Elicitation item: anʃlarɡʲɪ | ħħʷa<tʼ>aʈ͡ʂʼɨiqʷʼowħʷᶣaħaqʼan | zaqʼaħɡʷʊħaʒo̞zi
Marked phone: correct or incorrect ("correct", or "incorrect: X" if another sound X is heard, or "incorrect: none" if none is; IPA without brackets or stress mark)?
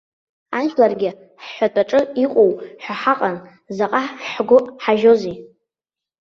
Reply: correct